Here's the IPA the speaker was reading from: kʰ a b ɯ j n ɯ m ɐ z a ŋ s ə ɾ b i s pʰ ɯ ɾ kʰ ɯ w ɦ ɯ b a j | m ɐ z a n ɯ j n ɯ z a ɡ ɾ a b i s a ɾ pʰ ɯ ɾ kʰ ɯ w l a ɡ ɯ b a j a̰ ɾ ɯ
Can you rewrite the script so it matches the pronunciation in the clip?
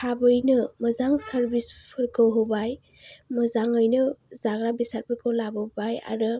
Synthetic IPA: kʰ a b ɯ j n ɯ m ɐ z a ŋ s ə ɾ b i s pʰ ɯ ɾ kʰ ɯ w ɦ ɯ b a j | m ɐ z a ŋ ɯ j n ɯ z a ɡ ɾ a b i s a ɾ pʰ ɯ ɾ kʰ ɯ w l a b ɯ b a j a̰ ɾ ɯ